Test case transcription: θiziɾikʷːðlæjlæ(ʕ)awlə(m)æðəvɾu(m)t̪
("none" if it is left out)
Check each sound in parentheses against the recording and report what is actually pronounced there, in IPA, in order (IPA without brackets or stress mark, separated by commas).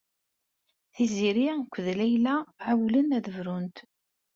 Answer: ʕ, n, n